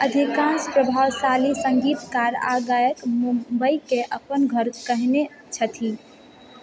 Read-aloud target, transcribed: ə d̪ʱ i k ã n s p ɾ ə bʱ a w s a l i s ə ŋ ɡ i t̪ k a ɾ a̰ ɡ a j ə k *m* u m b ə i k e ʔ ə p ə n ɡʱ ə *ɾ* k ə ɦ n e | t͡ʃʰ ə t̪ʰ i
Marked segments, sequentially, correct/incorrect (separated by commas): correct, correct